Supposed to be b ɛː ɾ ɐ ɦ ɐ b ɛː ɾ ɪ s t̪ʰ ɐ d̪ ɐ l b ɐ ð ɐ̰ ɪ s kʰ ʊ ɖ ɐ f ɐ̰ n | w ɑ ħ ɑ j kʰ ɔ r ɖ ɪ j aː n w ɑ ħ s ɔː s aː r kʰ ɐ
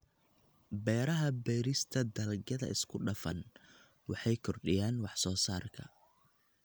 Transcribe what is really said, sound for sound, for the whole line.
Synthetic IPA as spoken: b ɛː ɾ ɐ ɦ ɐ b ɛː ɾ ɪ s t̪ʰ ɐ d̪ ɐ l ɡ ɐ ð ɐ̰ ɪ s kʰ ʊ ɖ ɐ f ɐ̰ n | w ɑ ħ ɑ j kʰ ɔ r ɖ ɪ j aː n w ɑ ħ s ɔː s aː r kʰ ɐ